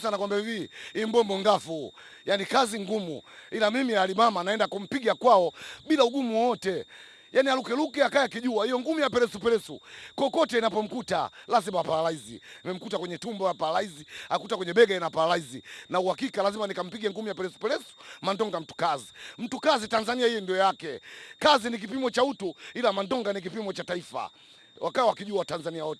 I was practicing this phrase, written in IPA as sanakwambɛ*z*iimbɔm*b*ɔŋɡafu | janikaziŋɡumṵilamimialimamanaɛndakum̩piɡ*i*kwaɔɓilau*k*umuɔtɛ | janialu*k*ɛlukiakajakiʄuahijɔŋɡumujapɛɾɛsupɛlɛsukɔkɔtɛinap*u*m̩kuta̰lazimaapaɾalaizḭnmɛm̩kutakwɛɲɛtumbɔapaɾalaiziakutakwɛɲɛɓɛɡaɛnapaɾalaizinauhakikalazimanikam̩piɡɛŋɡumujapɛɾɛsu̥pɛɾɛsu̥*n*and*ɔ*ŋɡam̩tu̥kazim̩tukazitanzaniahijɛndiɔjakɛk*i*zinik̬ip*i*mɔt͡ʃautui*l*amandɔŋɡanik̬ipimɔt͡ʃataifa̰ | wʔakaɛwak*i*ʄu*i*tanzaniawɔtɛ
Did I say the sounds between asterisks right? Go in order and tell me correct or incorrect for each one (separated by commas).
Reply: incorrect, correct, incorrect, incorrect, correct, incorrect, incorrect, correct, incorrect, correct, correct, correct, incorrect